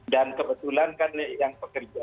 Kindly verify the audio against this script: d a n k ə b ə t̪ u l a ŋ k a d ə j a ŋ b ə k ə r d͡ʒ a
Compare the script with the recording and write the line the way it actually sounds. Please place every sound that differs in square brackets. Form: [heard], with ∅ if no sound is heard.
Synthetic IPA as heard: d a n k ə b ə t̪ u l a [n] k a [n] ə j a ŋ [p] ə k ə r d͡ʒ a